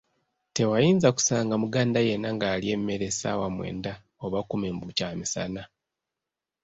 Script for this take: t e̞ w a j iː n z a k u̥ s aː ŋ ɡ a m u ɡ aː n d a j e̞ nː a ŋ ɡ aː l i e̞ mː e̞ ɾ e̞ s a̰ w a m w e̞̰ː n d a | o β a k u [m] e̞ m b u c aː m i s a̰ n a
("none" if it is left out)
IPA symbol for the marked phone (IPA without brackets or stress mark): m